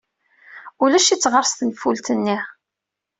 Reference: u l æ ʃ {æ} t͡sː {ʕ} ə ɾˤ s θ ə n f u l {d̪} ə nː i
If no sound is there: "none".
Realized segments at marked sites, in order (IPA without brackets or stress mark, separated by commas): i, ʁ, t̪